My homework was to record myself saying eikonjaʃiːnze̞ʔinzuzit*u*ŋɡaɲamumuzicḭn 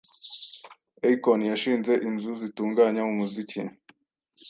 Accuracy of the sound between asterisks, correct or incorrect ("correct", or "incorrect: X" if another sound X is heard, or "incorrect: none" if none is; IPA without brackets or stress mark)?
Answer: incorrect: uː